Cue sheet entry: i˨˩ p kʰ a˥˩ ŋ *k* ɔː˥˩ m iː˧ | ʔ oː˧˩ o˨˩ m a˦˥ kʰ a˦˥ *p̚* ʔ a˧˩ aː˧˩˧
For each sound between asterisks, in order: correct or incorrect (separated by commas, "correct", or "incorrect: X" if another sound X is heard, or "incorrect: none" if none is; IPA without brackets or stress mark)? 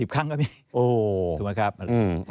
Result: correct, correct